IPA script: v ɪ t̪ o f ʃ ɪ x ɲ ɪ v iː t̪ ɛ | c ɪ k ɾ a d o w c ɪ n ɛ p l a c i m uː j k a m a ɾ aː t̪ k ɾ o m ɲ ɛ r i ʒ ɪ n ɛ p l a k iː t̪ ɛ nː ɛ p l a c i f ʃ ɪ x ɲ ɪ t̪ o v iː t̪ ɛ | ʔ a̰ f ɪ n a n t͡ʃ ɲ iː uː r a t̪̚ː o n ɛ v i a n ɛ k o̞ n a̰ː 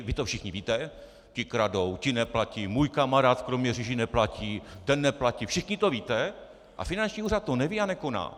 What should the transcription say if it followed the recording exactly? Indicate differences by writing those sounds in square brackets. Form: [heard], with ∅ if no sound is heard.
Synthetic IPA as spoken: v ɪ t̪ o f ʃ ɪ x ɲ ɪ v iː t̪ ɛ | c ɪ k ɾ a d o w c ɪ n ɛ p l a c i m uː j k a m a ɾ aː t̪ k ɾ o m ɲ ɛ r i ʒ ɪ n ɛ p l a [c] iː t̪ ɛ nː ɛ p l a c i f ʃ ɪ x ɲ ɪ t̪ o v iː t̪ ɛ | ʔ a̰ f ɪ n a n t͡ʃ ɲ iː uː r a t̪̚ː o n ɛ v i a n ɛ k o̞ n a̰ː